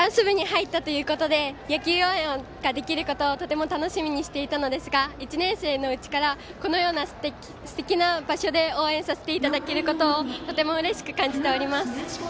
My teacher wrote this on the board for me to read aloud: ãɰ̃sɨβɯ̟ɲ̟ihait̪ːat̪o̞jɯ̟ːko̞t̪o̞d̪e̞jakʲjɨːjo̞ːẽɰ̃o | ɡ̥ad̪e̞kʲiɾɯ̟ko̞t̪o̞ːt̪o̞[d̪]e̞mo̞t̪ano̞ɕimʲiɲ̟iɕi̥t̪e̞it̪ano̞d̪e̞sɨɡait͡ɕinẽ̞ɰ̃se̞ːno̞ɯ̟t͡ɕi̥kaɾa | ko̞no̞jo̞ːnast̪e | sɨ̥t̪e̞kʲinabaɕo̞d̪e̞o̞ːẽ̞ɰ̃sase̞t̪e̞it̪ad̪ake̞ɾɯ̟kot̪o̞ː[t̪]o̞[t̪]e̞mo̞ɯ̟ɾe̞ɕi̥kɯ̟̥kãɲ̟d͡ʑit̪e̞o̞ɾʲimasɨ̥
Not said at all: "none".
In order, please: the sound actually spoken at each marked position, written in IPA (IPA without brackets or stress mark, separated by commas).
t̪, t̪, t̪